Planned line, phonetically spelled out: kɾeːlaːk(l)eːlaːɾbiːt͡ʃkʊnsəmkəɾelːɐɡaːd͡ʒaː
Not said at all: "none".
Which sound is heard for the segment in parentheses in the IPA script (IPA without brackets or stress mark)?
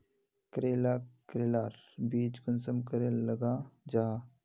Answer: ɾ